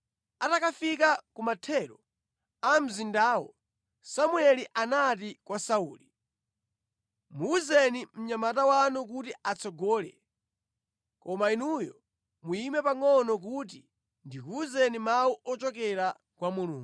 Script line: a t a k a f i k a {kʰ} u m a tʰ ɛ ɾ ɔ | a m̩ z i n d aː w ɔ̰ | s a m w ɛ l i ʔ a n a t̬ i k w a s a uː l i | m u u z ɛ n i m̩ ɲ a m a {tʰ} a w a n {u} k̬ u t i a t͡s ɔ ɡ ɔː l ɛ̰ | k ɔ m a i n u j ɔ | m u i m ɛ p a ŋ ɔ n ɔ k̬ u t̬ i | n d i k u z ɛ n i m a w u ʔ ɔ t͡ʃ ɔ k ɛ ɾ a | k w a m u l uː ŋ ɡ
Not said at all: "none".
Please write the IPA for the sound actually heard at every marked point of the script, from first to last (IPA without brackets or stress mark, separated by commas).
k, t, u